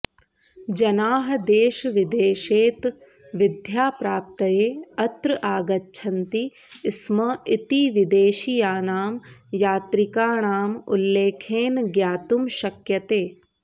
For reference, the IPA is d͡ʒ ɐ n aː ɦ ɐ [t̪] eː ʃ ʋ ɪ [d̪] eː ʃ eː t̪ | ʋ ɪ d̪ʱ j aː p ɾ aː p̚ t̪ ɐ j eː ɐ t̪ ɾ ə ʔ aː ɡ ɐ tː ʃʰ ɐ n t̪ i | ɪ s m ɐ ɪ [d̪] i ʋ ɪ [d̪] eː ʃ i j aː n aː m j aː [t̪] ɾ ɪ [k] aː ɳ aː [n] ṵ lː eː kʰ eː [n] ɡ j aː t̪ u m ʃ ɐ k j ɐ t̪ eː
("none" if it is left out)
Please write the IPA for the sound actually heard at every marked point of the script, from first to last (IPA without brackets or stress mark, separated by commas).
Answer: d̪, d̪, t̪, d̪, t̪, k, m, n